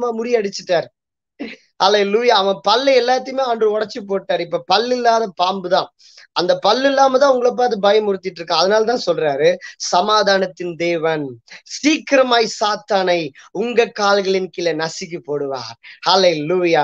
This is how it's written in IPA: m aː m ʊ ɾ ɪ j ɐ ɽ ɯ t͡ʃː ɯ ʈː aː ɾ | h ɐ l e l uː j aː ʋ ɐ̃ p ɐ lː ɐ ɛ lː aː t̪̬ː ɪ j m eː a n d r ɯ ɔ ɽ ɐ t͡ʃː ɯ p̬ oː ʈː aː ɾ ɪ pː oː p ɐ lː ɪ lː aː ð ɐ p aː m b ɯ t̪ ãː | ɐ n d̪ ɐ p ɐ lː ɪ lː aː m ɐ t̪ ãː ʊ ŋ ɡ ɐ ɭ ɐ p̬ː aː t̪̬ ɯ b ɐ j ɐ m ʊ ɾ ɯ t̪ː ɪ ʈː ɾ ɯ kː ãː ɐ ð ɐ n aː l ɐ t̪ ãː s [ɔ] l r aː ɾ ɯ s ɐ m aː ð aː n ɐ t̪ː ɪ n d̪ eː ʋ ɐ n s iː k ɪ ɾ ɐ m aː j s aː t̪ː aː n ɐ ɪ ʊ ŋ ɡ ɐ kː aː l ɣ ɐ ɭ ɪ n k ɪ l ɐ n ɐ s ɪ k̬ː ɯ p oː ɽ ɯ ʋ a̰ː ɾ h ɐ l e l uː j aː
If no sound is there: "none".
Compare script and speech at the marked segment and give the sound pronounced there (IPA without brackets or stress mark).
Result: ɔ